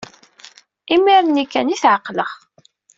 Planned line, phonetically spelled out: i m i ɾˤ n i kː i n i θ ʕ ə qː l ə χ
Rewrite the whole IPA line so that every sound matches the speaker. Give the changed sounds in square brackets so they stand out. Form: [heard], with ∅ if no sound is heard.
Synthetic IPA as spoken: i m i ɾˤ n i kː [æ] n i θ ʕ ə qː l ə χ